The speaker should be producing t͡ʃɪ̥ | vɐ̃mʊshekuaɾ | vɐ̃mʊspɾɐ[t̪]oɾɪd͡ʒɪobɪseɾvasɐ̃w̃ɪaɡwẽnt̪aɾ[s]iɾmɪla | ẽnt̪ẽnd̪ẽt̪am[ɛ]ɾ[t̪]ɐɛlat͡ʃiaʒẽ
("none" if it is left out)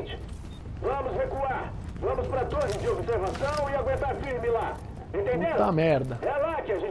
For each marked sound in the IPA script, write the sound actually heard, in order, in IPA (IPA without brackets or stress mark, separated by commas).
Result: t̪, f, ɛ, d̪